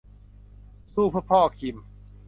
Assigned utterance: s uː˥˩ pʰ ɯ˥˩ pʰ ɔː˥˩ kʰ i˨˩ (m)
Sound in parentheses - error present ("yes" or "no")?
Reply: no